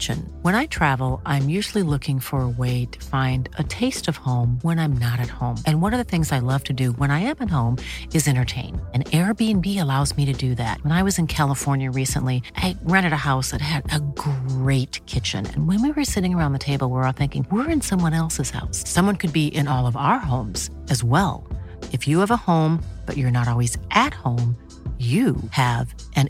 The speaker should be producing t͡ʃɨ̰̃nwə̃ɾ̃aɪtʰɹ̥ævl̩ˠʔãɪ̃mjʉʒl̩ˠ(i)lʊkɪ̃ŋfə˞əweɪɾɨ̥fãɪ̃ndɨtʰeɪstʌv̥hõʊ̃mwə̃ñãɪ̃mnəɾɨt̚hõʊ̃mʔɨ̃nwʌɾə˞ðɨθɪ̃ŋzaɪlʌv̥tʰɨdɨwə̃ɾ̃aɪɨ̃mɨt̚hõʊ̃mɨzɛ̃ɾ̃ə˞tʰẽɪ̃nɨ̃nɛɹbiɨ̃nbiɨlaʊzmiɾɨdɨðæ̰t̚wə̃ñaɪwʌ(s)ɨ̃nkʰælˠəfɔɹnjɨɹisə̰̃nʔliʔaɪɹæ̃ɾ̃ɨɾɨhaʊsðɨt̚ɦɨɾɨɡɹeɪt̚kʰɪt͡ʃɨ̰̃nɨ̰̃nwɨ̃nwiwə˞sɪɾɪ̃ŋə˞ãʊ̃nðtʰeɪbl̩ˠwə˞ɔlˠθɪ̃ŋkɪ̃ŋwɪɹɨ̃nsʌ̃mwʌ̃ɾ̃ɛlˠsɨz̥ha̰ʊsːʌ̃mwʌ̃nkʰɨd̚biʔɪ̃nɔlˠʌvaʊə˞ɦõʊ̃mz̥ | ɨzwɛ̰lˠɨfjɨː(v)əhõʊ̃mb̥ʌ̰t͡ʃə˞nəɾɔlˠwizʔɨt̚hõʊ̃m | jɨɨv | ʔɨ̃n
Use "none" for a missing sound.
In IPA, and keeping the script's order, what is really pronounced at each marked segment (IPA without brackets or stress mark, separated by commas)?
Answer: i, z, v